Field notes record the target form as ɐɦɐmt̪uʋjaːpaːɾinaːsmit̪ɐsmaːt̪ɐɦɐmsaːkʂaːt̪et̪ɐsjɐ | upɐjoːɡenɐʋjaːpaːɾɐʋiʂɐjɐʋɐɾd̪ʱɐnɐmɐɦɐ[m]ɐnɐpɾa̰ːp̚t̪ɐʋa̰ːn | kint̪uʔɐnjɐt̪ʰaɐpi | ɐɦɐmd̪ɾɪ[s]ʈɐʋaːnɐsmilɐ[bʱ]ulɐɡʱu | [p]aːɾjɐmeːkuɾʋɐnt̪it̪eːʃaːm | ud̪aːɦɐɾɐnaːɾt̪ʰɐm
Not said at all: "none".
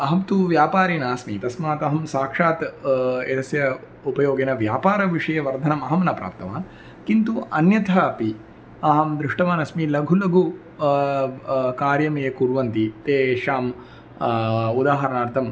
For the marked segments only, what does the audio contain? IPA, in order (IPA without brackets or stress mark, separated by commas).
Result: m, ʂ, ɡʱ, k